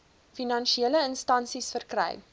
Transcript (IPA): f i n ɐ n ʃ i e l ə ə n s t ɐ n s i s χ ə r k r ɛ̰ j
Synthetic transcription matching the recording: f i n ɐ n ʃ i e l ə ə n s t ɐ n s i s f ə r k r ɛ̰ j